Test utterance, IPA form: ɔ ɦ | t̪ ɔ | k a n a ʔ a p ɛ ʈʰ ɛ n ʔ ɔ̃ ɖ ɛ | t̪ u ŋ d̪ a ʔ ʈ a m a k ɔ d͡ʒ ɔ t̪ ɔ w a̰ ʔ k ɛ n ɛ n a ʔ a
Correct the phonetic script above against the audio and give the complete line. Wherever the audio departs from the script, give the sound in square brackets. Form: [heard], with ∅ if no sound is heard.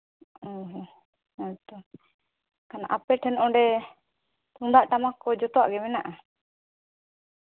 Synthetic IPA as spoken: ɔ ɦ | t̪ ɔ | k a n a ʔ a p ɛ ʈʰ ɛ n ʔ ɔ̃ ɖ ɛ | t̪ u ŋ d̪ a ʔ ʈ a m a k ɔ d͡ʒ ɔ t̪ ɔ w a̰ ʔ [ɡ] ɛ [m] ɛ n a ʔ a

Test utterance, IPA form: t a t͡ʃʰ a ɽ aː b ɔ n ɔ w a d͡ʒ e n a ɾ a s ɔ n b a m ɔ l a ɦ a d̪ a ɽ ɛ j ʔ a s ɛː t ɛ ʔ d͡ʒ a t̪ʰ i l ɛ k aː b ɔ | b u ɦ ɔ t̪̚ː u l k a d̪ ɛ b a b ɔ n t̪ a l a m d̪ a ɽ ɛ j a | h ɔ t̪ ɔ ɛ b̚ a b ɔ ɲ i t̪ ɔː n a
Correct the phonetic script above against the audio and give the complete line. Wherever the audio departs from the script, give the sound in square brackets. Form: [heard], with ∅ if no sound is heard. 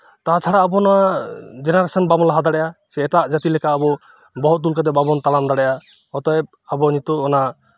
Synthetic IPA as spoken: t a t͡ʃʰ a ɽ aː b ɔ n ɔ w a d͡ʒ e n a ɾ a s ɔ n b a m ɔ l a ɦ a d̪ a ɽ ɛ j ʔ a s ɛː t [a] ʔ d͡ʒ a [t̪] i l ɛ k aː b ɔ | b [ɔ] ɦ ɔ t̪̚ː u l k a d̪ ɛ b a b ɔ n t̪ a l a m d̪ a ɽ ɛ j a | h ɔ t̪ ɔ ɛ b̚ a b ɔ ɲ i t̪ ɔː n a

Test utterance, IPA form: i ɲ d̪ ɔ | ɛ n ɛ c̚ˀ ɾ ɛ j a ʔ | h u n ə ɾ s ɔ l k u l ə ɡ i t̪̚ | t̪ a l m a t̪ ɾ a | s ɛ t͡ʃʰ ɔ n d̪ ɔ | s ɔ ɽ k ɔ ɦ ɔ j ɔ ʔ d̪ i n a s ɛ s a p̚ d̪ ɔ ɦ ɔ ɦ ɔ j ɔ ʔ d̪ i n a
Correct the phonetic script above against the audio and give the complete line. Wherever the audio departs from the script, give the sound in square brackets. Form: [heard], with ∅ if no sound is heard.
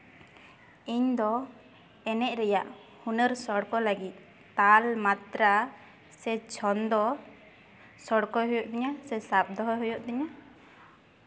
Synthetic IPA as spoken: i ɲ d̪ ɔ | ɛ n ɛ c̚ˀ ɾ ɛ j a ʔ | h u n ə ɾ s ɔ [ɽ] k [ɔ] l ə ɡ i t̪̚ | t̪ a l m a t̪ ɾ a | s ɛ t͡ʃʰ ɔ n d̪ ɔ | s ɔ ɽ k ɔ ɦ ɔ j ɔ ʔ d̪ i [ɲ] a s ɛ s a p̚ d̪ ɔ ɦ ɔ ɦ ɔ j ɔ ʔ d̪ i [ɲ] a

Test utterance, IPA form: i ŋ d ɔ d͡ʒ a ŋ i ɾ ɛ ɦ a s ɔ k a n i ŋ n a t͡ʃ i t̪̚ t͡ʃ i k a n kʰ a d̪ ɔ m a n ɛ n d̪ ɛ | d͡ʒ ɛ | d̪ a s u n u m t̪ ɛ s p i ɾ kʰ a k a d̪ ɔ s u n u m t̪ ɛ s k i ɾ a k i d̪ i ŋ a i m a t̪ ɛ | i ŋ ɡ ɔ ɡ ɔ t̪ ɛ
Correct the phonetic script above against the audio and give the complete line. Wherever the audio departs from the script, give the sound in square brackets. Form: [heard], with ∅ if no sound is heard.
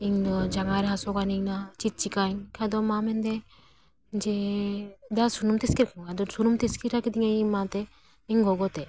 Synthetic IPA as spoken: i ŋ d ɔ d͡ʒ a ŋ [a] ɾ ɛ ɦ a s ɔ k a n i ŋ n a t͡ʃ i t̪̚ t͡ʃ i k a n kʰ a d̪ ɔ m a [m] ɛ n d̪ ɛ | d͡ʒ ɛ | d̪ a s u n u m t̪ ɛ s [k] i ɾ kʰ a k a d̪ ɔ s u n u m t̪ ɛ s k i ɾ a k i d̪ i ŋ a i m a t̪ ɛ | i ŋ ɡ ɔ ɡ ɔ t̪ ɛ

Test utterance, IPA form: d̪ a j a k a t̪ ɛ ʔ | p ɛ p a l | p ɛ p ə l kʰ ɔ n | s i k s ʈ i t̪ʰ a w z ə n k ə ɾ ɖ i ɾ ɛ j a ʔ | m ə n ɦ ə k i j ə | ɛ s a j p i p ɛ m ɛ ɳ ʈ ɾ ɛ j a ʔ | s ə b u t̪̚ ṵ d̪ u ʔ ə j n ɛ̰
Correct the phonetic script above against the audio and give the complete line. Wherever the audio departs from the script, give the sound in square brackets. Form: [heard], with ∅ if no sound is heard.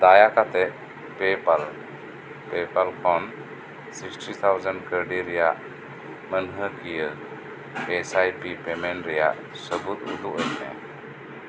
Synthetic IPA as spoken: d̪ a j a k a t̪ ɛ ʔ | p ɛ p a l | p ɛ p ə l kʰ ɔ n | s i k s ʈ i t̪ʰ a w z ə n k ə ɾ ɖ i ɾ ɛ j a ʔ | m ə n ɦ ə k i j ə | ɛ s a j p i p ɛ m ɛ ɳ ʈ ɾ ɛ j a ʔ | s ə b u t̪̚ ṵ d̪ u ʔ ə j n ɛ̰

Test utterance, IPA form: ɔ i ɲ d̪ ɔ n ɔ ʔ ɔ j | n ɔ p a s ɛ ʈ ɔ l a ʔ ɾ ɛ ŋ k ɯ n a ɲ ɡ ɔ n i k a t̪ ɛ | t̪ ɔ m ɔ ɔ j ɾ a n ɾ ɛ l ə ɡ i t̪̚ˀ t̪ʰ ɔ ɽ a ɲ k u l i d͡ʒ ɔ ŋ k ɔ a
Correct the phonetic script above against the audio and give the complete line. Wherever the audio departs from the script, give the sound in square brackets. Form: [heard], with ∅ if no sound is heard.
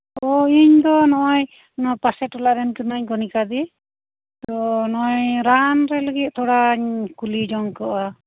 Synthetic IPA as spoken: ɔ i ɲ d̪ ɔ n ɔ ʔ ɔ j | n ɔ p a s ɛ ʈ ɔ l a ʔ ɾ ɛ [n] k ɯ n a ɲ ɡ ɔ n i k a [d̪] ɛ | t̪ ɔ [n] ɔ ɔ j ɾ a n ɾ ɛ l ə ɡ i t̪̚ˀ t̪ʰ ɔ ɽ a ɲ k u l i d͡ʒ ɔ ŋ k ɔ a

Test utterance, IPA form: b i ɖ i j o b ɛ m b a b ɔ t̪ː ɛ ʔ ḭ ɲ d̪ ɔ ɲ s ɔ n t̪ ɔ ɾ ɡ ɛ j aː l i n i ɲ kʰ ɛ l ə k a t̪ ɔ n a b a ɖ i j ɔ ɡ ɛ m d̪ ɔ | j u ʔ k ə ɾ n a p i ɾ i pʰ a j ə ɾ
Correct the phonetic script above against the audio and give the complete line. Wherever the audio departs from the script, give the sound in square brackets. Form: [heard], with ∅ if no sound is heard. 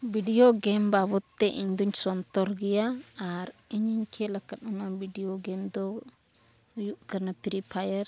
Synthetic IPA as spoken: b i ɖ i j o [ɡ] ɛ m b a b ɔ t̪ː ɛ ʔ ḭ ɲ d̪ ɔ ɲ s ɔ n t̪ ɔ ɾ ɡ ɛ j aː [ɾ] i [ɲ] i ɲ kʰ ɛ l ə k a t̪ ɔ n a b [i] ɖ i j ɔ ɡ ɛ m d̪ ɔ | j u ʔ k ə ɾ n a p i ɾ i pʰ a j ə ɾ

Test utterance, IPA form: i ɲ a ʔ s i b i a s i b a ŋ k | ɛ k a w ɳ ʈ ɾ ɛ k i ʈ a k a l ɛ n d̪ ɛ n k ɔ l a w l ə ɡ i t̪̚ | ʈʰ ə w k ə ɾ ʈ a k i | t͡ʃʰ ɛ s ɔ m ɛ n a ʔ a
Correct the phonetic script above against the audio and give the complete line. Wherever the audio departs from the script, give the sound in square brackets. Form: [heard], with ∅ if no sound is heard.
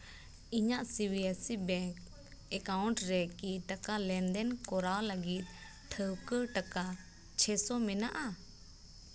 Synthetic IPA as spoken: i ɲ a ʔ s i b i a s i b [ɛ] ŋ k | ɛ k a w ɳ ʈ ɾ ɛ k i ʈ a k a l ɛ n d̪ ɛ n k ɔ [ɾ] a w l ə ɡ i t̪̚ | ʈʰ ə w k ə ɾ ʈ a k [a] | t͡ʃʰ ɛ s ɔ m ɛ n a ʔ a

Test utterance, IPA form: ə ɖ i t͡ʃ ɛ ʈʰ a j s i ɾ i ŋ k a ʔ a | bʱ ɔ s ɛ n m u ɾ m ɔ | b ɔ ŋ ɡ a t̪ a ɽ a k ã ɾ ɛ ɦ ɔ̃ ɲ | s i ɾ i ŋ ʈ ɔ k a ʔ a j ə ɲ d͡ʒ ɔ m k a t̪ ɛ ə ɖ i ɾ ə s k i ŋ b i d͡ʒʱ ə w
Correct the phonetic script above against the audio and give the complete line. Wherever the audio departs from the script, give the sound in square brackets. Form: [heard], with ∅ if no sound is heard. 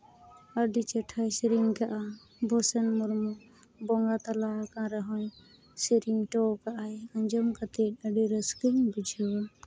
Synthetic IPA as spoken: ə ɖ i t͡ʃ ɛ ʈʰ a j s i ɾ i ŋ k a ʔ a | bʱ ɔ s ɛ n m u ɾ m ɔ | b ɔ ŋ ɡ a t̪ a [l] a k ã ɾ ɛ ɦ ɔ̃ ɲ | s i ɾ i ŋ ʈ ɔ k a ʔ a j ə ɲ d͡ʒ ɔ m k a t̪ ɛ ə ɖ i ɾ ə s k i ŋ b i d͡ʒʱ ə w

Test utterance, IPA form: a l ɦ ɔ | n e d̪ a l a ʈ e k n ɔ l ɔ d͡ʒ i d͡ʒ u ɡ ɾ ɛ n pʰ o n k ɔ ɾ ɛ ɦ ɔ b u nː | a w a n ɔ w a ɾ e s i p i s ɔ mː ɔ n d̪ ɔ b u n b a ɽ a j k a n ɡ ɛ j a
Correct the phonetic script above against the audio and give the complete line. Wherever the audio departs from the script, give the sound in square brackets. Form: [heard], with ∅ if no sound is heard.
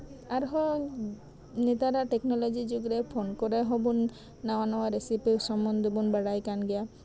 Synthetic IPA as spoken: a [ɾ] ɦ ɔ | n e [t̪] a [ɾ] a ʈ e k n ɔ l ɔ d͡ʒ i d͡ʒ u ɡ ɾ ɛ [∅] pʰ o n k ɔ ɾ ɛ ɦ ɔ b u nː | a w a n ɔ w a ɾ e s i p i s ɔ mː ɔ n d̪ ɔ b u n b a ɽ a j k a n ɡ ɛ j a

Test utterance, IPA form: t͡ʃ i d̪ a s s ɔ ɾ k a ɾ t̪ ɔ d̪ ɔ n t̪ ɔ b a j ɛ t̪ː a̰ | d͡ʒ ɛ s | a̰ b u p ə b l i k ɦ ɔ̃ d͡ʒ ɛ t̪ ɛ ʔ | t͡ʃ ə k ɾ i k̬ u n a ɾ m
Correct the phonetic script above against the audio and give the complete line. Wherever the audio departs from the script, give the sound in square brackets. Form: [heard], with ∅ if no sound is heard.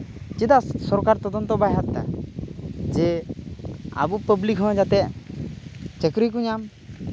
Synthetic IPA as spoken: t͡ʃ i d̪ a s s ɔ ɾ k a ɾ t̪ ɔ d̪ ɔ n t̪ ɔ b a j [a] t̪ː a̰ | d͡ʒ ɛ [∅] | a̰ b u p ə b l i k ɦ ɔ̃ d͡ʒ [a] t̪ ɛ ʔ | t͡ʃ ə k ɾ i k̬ u [ɲ] a [∅] m

